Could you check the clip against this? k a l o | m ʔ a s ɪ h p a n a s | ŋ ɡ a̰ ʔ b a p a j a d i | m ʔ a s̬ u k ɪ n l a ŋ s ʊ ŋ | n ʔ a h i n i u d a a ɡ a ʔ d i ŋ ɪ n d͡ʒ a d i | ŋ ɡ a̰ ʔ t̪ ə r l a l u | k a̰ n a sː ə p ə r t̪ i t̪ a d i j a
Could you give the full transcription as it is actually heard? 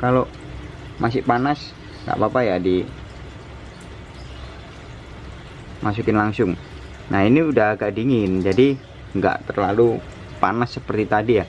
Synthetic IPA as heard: k a l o | m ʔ a s ɪ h p a n a s | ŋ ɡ a̰ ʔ b a p a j a d i | m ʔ a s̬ u k ɪ n l a ŋ s ʊ ŋ | n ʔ a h i n i u d a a ɡ a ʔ d i ŋ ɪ n d͡ʒ a d i | ŋ ɡ a̰ ʔ t̪ ə r l a l u | p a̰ n a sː ə p ə r t̪ i t̪ a d i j a